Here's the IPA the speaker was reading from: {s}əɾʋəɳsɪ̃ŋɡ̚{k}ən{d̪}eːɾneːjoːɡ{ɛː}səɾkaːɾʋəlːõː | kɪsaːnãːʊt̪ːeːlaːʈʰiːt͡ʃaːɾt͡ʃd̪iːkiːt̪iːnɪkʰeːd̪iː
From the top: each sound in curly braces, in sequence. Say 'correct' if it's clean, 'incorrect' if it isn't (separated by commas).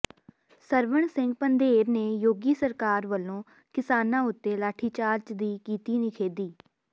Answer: correct, incorrect, correct, incorrect